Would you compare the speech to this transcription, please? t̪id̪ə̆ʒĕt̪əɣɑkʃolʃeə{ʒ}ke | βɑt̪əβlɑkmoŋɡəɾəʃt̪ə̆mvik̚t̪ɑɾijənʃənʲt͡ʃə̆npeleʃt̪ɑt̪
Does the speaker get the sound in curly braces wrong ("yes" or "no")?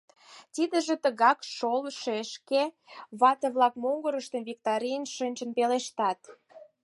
yes